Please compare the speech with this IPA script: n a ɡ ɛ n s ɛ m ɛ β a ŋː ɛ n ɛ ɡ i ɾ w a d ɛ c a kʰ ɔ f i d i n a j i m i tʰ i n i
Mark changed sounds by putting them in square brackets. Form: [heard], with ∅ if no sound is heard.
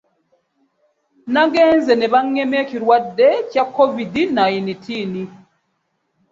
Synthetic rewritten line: n a ɡ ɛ n [z] ɛ [n] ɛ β a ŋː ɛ [m] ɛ [k] i ɾ w a d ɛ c a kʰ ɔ [v] i d i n a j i [n] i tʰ i n i